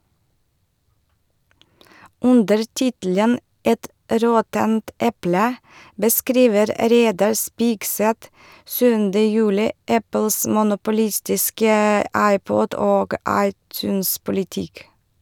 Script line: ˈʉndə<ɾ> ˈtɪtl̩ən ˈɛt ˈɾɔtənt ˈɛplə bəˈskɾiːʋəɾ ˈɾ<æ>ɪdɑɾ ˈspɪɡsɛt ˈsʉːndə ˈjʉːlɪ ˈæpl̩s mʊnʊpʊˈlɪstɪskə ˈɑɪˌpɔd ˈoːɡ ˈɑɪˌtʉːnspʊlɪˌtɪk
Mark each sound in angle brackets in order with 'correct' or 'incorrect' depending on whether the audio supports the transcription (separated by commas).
correct, incorrect